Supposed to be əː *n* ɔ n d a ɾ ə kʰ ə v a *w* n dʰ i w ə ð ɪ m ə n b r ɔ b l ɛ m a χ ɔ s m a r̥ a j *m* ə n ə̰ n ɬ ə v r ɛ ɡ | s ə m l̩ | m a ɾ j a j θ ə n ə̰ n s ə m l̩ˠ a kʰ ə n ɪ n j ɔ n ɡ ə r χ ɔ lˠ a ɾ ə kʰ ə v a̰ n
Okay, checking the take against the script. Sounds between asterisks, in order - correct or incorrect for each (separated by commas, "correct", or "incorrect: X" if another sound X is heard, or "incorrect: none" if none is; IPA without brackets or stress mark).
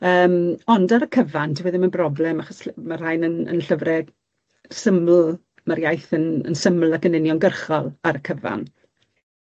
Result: incorrect: m, incorrect: none, incorrect: n